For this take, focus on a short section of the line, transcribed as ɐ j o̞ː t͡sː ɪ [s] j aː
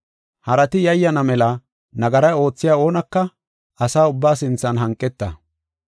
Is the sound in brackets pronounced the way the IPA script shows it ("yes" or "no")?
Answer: no